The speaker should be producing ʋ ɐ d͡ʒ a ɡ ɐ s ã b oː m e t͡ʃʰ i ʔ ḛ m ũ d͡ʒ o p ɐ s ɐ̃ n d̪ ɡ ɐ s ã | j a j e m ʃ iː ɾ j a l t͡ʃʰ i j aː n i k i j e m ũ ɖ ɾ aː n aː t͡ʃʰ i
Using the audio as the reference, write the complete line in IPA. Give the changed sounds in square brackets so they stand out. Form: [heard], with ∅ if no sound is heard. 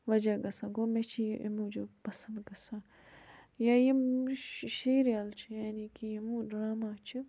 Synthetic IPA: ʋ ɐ d͡ʒ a ɡ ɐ s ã [ɡ] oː m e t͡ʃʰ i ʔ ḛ m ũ d͡ʒ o p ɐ s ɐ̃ n d̪ ɡ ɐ s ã | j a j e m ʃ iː ɾ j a l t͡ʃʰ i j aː n i k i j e m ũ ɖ ɾ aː [m] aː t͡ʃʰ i